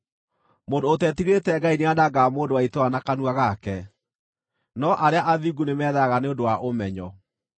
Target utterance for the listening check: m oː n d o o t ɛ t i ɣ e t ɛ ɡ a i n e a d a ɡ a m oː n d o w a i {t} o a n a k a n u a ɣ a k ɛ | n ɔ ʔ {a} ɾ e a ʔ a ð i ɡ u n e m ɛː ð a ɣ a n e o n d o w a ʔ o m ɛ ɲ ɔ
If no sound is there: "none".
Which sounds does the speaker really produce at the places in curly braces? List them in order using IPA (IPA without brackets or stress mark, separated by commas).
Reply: t, a